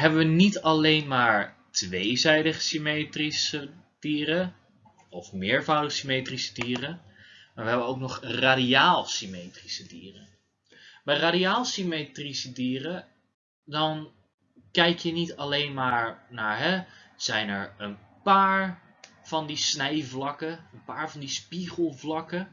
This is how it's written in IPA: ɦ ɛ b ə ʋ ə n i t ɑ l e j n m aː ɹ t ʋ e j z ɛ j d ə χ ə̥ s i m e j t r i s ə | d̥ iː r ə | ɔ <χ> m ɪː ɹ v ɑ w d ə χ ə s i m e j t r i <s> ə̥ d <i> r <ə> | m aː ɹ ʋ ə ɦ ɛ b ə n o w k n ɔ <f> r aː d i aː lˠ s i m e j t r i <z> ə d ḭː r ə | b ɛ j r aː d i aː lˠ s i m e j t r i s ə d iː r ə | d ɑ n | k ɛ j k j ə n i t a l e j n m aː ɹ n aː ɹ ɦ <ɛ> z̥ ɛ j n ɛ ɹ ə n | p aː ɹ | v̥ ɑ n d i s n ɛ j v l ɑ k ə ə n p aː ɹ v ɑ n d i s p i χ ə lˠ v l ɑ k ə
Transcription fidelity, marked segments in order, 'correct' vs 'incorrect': incorrect, correct, incorrect, correct, incorrect, incorrect, correct

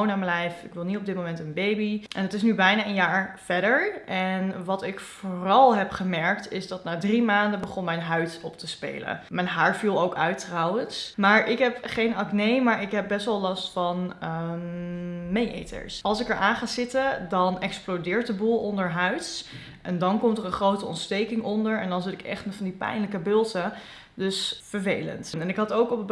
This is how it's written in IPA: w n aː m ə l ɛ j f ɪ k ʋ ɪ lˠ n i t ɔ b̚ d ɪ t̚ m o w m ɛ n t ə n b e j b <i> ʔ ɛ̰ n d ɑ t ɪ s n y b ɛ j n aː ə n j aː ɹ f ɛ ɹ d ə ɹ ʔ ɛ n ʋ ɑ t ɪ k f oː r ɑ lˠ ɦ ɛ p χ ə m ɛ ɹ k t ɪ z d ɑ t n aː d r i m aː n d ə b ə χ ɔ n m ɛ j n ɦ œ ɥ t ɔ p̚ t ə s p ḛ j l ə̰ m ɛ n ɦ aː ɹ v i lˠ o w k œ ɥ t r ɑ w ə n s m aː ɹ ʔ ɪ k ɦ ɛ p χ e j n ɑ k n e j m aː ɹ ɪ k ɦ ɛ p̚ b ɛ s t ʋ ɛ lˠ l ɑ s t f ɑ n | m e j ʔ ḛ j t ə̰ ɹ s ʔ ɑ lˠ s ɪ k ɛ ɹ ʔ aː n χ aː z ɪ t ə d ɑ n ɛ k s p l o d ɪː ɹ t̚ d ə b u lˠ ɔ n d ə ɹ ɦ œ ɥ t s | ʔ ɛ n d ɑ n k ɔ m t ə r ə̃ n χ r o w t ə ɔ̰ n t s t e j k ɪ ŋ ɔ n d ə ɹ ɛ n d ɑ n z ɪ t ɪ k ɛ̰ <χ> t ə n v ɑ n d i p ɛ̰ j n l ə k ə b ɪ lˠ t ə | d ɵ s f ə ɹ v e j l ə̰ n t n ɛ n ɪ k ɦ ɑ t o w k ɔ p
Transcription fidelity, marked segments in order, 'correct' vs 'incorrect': correct, correct

